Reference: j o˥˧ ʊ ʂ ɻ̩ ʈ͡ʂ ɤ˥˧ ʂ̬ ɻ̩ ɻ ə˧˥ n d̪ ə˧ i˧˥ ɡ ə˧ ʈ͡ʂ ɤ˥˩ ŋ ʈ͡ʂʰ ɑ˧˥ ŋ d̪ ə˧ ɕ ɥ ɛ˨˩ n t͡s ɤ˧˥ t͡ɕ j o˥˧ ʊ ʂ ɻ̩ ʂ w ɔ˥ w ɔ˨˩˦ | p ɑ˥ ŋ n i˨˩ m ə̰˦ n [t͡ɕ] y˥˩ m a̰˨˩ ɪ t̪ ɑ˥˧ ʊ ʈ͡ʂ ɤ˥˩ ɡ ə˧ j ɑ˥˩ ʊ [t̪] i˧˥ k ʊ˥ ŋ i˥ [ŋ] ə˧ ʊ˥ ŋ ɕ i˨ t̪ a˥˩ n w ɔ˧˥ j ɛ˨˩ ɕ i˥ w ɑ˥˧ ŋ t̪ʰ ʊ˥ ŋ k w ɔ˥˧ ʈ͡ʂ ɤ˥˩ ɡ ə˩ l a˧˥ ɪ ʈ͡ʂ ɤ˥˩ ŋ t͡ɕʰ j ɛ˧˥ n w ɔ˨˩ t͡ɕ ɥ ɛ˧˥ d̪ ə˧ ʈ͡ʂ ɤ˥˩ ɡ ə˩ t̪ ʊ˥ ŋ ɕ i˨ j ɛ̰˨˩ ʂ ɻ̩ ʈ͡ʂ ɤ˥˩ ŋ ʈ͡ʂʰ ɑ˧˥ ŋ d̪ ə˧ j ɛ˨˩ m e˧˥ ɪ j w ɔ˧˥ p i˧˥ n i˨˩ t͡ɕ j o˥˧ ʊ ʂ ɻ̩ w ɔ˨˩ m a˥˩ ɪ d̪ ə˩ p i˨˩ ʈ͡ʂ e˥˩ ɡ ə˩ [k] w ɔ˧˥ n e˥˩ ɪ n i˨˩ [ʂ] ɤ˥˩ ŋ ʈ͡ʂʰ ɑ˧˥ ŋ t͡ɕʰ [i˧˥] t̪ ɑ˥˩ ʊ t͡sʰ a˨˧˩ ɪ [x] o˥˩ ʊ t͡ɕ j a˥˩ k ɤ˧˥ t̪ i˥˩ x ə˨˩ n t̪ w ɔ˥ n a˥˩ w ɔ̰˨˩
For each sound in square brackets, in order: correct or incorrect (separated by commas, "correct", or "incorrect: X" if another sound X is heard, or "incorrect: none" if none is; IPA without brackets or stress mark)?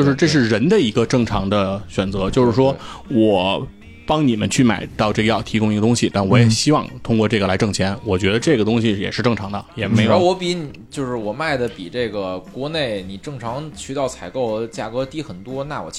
incorrect: t͡ɕʰ, incorrect: t̪ʰ, incorrect: ɡ, correct, incorrect: ʈ͡ʂ, incorrect: y˧˥, incorrect: k